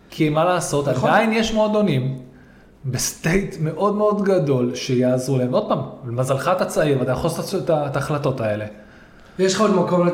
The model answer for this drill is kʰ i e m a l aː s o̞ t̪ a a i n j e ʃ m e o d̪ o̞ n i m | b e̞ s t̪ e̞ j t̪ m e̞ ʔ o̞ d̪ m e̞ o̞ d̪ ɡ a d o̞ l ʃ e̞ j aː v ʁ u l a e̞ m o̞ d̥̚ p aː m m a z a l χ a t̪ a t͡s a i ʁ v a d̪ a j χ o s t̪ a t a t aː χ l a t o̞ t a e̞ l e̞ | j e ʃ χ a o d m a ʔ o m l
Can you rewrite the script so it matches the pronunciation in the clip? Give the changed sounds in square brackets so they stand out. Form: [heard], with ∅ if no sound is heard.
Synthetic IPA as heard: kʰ i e m a l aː s o̞ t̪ a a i n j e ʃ m e o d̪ o̞ n i m | b e̞ s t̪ e̞ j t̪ m e̞ ʔ o̞ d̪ m e̞ o̞ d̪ ɡ a d o̞ l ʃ e̞ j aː [z] ʁ u l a e̞ m o̞ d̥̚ p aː m m a z a l χ a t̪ a t͡s a i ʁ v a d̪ a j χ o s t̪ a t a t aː χ l a t o̞ t a e̞ l e̞ | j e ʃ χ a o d m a [k] o m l